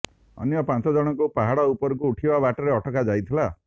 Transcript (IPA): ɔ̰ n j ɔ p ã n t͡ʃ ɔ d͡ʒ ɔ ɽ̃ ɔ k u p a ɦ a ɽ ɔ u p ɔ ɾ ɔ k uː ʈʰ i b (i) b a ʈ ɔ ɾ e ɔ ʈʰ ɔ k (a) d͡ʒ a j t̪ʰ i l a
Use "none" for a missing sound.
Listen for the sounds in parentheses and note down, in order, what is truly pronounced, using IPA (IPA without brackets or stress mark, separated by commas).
a, a